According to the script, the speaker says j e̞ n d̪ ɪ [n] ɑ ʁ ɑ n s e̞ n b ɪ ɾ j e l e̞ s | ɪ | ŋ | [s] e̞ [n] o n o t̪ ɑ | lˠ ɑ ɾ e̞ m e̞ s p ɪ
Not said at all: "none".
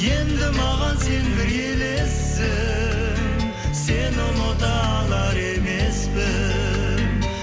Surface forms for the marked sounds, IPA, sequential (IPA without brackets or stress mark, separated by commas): m, s, n